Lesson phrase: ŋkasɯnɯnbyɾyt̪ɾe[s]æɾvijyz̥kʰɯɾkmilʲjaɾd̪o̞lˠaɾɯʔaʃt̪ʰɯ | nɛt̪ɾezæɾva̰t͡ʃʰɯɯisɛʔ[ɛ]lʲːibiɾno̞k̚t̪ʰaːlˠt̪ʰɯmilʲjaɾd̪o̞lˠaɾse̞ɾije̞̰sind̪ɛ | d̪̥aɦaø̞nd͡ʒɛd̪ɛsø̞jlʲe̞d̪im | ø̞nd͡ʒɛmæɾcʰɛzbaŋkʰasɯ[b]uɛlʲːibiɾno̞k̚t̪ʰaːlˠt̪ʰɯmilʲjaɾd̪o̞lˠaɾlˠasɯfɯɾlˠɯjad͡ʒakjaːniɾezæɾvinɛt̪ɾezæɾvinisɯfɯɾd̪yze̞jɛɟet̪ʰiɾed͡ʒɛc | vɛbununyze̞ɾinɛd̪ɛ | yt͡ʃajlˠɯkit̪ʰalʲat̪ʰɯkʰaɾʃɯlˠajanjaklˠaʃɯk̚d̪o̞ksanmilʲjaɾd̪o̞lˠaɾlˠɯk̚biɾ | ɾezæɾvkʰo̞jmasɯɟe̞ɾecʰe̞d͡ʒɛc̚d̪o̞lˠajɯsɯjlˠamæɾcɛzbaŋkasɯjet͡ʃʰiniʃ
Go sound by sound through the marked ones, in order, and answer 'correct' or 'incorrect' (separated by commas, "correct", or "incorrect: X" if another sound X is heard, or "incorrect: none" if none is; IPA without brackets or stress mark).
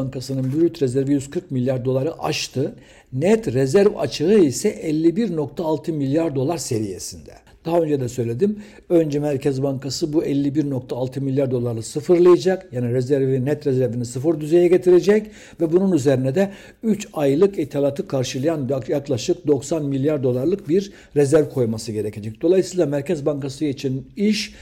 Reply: incorrect: z, correct, correct